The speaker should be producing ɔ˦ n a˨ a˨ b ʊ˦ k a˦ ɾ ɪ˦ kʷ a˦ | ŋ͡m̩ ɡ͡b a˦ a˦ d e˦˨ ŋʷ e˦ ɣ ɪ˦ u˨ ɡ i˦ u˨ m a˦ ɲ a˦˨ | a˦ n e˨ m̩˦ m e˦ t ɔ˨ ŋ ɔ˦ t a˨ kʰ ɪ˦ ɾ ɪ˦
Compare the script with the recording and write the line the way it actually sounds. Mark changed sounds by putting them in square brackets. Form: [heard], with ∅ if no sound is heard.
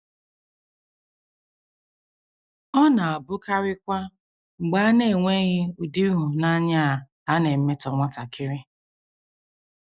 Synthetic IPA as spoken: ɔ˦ n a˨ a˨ b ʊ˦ k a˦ ɾ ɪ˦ kʷ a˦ | ŋ͡m̩ ɡ͡b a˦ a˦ [n] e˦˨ ŋʷ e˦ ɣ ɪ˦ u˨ [d] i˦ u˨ [n] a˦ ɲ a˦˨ | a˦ n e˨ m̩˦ m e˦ t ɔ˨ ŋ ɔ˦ t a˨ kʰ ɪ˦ ɾ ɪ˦